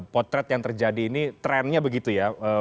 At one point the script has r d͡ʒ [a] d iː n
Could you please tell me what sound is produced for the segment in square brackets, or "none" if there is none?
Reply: a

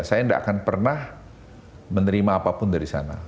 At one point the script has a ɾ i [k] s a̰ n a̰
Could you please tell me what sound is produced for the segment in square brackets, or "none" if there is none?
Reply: none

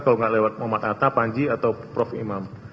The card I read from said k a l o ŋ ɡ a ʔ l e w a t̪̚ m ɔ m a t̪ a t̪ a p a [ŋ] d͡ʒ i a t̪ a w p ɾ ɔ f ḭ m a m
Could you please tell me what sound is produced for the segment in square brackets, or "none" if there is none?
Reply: ɲ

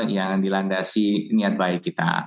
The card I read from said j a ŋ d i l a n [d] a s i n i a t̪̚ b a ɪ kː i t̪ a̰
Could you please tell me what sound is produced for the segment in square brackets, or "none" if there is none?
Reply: d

